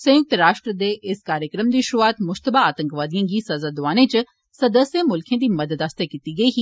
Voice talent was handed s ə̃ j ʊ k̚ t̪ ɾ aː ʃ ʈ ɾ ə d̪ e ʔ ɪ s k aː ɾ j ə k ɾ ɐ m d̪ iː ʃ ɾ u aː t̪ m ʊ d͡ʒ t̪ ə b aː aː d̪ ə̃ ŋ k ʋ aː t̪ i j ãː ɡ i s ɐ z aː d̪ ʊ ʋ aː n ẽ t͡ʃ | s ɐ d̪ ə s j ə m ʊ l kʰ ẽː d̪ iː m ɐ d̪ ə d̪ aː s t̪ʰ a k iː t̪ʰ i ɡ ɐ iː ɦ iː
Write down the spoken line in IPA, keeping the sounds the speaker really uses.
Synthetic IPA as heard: s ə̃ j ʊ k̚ t̪ ɾ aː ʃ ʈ ɾ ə d̪ e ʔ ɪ s k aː ɾ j ə k ɾ ə m d̪ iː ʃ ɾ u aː t̪ m ʊ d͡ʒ t̪ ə b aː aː t̪ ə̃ ŋ k ʋ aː d̪ i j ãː ɡ i s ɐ z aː d̪ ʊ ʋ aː n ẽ t͡ʃ | s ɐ d̪ ə s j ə m ʊ l kʰ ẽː d̪ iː m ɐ d̪ ə d̪ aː s t̪ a k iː t̪ i ɡ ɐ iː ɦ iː